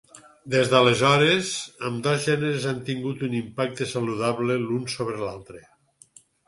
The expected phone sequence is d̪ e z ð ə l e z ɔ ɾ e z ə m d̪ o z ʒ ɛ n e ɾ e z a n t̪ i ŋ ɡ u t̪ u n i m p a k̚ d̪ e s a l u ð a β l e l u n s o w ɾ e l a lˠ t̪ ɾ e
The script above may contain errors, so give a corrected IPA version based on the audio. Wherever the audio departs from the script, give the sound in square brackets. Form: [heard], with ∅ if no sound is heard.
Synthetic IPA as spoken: d̪ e z ð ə l e z ɔ ɾ e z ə m d̪ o z ʒ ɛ n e ɾ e z a n t̪ i ŋ ɡ u t̪ u n i m p a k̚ [t̪] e s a l u ð a β l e l u n s o [β] ɾ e l a lˠ t̪ ɾ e